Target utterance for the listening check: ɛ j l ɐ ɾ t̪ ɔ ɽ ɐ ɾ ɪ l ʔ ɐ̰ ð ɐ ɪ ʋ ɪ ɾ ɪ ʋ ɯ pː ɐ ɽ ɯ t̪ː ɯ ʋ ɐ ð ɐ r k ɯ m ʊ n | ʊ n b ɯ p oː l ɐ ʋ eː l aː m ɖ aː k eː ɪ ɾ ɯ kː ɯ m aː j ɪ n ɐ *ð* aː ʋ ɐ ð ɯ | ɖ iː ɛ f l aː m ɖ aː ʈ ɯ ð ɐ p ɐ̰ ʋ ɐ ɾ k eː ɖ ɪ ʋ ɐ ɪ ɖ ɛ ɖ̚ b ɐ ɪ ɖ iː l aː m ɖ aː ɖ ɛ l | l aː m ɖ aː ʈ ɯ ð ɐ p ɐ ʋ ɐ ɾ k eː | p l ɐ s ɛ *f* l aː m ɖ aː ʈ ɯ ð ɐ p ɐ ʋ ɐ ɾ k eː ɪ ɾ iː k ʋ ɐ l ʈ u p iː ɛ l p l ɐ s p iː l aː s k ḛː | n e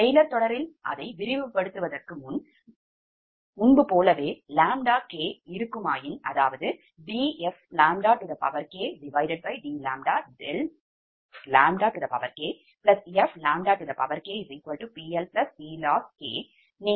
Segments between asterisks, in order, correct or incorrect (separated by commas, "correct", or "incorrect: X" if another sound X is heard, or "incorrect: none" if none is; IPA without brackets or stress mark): correct, correct